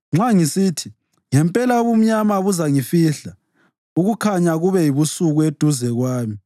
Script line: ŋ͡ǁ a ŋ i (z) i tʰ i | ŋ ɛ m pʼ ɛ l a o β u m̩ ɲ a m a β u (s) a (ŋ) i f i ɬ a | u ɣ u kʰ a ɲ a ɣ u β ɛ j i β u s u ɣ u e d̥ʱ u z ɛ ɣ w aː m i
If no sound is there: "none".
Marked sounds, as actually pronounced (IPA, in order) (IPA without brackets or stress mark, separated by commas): s, z, ŋ